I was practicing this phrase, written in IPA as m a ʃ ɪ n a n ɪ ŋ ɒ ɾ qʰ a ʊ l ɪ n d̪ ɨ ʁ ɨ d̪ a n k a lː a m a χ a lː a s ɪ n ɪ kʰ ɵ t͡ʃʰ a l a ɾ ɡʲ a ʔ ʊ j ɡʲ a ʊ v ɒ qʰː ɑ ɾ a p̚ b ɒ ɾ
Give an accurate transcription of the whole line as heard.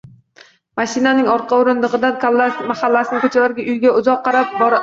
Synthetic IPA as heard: m a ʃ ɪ n a n ɪ ŋ ɒ ɾ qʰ ɑ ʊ ɾ ɪ n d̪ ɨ ʁ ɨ d̪ a n k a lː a m a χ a lː a s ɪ n ɪ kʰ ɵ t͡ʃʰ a l a ɾ ɡʲ a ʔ ʊ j ɡʲ a ʊ z ɒ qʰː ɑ ɾ a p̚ b ɒ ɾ